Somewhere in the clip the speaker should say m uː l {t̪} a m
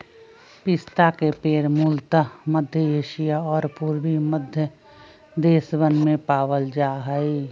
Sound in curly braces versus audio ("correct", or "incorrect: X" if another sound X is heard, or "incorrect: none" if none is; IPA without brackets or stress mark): correct